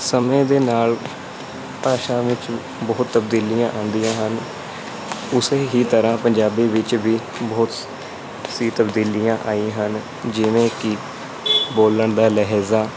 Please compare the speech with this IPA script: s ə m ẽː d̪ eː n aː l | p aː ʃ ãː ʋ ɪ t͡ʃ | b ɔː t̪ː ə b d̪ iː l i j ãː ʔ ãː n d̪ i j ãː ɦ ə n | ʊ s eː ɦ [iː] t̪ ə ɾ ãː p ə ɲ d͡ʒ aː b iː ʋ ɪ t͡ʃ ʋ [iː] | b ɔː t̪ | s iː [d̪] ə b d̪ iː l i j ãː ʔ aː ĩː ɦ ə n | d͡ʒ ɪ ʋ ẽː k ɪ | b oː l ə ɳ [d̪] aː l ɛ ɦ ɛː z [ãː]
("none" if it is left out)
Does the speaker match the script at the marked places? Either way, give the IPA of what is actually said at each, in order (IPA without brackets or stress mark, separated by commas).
iː, iː, t̪, d̪, aː